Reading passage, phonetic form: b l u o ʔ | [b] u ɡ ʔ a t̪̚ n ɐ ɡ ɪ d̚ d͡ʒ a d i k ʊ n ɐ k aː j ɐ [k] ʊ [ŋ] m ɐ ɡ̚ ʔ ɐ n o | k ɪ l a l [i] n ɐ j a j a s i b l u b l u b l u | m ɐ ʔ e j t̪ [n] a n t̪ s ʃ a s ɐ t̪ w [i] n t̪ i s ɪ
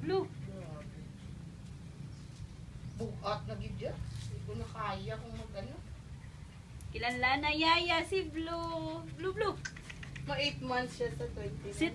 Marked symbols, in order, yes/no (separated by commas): yes, yes, yes, no, no, no